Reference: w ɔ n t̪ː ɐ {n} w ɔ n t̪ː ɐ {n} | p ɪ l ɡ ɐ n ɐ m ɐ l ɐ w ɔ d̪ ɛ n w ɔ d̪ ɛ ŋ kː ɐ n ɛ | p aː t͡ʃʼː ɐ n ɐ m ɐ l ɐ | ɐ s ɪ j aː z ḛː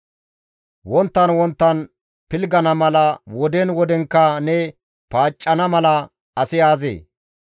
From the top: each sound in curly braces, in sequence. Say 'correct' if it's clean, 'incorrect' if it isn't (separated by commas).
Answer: correct, correct